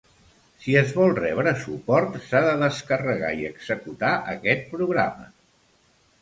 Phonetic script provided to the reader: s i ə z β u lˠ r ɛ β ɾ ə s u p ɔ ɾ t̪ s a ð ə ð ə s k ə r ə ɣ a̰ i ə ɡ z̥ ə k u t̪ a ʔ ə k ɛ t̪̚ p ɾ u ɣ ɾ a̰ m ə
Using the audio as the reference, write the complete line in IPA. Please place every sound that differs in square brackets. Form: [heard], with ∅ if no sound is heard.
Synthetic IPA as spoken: s i ə z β [ɔ] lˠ r ɛ β ɾ ə s u p ɔ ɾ t̪ s a ð ə ð ə s k ə r ə ɣ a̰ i ə ɡ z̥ ə k u t̪ a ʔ ə k ɛ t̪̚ p ɾ u ɣ ɾ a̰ m ə